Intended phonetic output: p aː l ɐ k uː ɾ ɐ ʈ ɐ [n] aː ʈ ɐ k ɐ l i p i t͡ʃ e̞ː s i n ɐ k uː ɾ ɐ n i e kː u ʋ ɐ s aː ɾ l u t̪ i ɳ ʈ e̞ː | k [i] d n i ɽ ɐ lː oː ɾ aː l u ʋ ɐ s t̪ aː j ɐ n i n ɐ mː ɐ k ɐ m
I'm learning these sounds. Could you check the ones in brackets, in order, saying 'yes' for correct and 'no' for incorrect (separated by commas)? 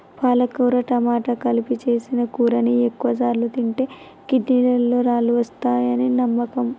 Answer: no, yes